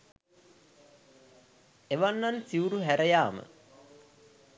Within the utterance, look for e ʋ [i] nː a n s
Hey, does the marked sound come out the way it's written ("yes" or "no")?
no